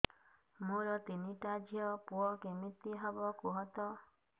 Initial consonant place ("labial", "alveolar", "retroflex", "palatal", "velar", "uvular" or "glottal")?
labial